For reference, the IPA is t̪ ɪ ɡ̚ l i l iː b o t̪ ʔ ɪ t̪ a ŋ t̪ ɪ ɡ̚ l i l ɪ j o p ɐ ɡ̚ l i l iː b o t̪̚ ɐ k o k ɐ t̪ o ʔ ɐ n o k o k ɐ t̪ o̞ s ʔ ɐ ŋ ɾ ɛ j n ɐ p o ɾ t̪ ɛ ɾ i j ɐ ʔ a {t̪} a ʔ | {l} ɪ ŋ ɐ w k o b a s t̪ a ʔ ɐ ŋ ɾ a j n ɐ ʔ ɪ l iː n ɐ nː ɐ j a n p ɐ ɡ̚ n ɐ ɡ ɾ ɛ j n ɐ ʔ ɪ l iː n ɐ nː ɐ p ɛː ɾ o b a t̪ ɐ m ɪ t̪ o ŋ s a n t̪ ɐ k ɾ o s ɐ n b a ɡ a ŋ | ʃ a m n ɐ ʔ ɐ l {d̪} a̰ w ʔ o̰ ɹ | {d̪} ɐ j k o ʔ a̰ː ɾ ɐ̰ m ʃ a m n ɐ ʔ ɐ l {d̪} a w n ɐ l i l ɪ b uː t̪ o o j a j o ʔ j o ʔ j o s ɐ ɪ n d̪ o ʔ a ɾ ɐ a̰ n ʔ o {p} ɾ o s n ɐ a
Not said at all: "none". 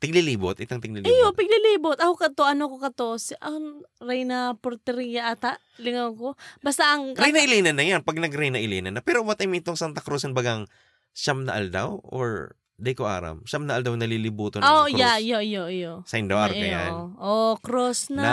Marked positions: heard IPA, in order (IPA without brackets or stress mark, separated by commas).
t̪, l, d̪, d̪, d̪, k